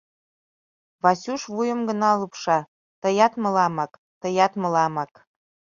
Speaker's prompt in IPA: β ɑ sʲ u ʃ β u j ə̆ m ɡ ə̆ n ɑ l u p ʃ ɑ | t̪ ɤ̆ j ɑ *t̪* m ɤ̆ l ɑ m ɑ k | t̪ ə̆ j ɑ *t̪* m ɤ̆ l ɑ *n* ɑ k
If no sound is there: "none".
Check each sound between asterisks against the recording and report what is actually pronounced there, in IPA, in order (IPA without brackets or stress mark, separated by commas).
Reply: t̪, t̪, m